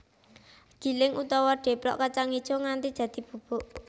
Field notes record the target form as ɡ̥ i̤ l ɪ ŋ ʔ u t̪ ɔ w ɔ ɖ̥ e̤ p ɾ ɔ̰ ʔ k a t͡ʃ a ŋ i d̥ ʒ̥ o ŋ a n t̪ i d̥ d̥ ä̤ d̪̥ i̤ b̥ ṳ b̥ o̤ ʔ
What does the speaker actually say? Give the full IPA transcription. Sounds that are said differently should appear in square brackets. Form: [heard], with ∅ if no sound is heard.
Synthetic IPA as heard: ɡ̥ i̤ l ɪ ŋ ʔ u t̪ ɔ w ɔ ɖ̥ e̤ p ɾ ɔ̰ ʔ k a t͡ʃ a ŋ i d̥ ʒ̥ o ŋ a n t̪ i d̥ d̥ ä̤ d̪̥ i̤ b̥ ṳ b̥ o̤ ʔ